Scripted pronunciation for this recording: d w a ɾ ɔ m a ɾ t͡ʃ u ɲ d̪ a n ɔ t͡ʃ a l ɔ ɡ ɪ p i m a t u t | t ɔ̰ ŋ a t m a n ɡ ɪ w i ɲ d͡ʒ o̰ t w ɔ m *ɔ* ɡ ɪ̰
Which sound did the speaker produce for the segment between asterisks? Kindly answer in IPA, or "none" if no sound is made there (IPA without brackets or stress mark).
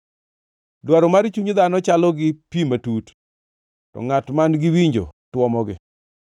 ɔ